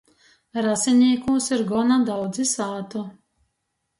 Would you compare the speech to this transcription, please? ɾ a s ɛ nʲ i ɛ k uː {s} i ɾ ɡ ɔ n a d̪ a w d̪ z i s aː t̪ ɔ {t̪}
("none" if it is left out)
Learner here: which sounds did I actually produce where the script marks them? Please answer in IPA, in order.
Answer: s, none

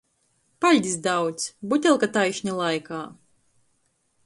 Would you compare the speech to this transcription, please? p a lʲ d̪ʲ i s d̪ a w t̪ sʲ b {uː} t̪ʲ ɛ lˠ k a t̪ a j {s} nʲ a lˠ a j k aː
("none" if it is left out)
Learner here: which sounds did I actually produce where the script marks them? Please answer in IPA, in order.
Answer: u, ʃ

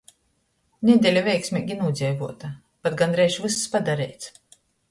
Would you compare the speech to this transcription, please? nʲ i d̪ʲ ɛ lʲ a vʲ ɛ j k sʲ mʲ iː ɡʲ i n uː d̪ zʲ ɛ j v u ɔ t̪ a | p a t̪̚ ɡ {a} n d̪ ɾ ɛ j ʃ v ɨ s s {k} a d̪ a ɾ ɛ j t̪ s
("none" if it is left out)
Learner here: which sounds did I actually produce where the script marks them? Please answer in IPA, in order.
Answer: a, p

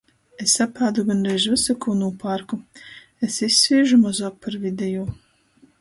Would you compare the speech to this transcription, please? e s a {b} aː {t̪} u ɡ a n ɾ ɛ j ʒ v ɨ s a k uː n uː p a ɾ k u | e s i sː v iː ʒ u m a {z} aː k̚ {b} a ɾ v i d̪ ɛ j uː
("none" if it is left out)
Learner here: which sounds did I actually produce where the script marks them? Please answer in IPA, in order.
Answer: p, d̪, z, p

